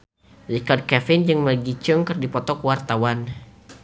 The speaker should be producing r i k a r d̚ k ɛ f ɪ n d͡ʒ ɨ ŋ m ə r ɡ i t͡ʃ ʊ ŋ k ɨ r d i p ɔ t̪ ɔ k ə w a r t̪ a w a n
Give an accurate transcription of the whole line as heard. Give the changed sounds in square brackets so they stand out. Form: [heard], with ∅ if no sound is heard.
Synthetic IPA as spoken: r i k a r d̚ k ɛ f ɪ n d͡ʒ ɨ ŋ m ə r ɡ i t͡ʃ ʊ ŋ k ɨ r d i p ɔ t̪ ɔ k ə w a r t̪ a w a n